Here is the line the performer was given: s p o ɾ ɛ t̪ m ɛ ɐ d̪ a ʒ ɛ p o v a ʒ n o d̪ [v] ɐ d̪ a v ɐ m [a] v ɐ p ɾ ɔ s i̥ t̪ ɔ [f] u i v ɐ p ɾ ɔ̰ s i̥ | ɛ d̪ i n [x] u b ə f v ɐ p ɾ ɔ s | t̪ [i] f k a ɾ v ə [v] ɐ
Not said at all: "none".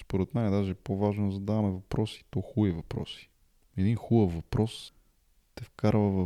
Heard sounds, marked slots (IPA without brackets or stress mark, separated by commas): z, ɛ, x, x, ɛ, v